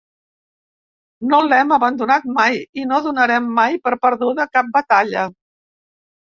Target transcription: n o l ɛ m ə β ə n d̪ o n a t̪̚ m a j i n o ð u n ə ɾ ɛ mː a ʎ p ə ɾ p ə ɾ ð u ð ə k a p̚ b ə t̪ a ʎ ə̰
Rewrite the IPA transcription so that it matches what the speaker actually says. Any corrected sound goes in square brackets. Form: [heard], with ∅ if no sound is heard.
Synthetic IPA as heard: n o l ɛ m ə β ə n d̪ [u] n a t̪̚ m a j i n o ð u n ə ɾ ɛ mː a [j] p ə ɾ p ə ɾ ð u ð ə k a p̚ b ə t̪ a ʎ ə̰